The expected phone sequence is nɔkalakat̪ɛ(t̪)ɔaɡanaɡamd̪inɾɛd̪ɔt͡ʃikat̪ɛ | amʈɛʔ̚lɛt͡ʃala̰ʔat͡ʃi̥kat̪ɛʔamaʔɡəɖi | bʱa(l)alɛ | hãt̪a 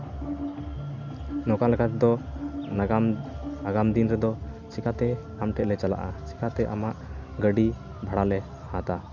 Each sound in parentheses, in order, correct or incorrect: incorrect: d̪, incorrect: ɽ

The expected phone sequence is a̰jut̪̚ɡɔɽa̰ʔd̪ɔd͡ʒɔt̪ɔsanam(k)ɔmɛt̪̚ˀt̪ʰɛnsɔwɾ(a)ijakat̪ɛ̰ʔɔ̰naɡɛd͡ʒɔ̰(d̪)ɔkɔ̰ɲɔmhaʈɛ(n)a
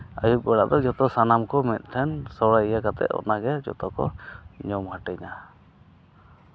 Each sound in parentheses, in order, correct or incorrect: correct, correct, incorrect: t̪, incorrect: ɲ

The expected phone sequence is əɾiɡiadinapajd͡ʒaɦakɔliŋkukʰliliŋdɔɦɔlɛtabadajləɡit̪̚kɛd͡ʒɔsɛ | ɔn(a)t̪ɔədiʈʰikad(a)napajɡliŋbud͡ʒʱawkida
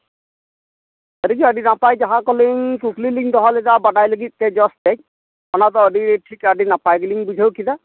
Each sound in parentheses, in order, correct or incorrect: correct, incorrect: i

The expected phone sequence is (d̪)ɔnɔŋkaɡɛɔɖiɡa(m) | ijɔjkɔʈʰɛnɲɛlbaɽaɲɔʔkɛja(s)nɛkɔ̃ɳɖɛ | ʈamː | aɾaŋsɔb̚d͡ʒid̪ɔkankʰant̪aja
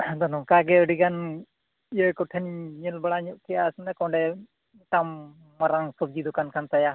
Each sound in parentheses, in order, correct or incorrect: correct, incorrect: n, correct

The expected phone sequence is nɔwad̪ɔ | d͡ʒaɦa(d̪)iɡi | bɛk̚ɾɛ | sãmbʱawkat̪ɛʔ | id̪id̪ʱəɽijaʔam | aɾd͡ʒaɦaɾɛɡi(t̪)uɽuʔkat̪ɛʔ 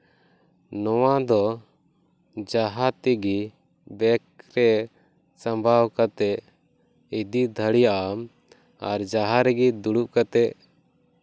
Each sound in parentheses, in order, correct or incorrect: incorrect: t̪, incorrect: d̪

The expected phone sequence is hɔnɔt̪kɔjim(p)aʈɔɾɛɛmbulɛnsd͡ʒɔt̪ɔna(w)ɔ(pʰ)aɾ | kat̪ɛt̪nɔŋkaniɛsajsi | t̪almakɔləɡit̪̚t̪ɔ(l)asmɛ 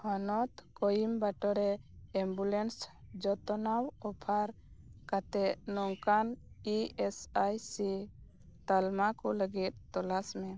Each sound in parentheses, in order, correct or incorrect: incorrect: b, correct, correct, correct

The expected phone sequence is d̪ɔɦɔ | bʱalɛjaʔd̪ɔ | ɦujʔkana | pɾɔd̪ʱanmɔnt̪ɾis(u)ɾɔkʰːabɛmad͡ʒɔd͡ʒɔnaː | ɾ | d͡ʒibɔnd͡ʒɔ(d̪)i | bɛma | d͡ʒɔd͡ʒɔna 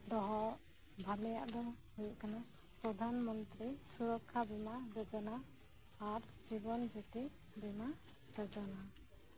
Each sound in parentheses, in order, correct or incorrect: correct, incorrect: t̪

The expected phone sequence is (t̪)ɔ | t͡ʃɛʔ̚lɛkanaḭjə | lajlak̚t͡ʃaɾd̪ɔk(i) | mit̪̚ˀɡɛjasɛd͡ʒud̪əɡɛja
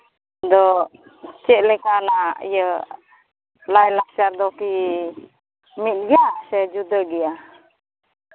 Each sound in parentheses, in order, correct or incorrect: incorrect: d̪, correct

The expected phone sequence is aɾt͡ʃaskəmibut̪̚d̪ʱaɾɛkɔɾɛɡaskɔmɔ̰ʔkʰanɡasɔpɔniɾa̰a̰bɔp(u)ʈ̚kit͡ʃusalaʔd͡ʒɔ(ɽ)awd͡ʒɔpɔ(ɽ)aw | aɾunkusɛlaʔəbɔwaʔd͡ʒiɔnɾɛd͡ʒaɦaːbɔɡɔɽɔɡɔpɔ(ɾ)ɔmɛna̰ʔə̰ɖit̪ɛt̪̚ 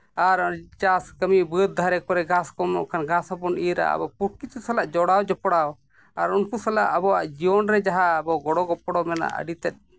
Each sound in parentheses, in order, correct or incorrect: correct, correct, correct, incorrect: ɽ

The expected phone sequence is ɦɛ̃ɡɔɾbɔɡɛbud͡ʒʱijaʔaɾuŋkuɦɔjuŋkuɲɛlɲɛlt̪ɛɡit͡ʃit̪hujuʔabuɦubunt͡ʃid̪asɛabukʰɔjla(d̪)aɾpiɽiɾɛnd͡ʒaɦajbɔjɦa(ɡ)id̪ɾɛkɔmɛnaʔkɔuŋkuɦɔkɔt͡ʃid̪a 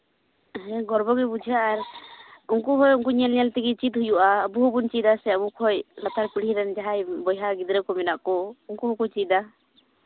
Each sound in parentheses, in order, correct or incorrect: incorrect: t̪, correct

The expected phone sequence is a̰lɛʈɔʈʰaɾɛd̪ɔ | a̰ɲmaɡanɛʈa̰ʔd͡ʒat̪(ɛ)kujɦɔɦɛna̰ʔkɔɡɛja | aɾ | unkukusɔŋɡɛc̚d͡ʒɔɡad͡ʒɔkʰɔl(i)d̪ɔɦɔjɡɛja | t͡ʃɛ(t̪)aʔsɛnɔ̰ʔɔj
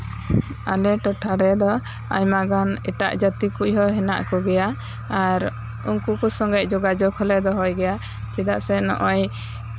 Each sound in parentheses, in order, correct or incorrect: incorrect: i, incorrect: ɛ, incorrect: d̪

